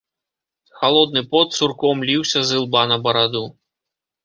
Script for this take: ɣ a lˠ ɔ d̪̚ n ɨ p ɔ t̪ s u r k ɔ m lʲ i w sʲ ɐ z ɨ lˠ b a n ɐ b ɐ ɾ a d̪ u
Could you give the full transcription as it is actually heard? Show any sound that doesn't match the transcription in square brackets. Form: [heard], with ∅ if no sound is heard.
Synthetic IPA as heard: [x] a lˠ ɔ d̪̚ n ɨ p ɔ t̪ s u r k ɔ m lʲ i w sʲ ɐ z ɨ lˠ b a n ɐ b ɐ ɾ a d̪ u